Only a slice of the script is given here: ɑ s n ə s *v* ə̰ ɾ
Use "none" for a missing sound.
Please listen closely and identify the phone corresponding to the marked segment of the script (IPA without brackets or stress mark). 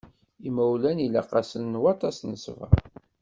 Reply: v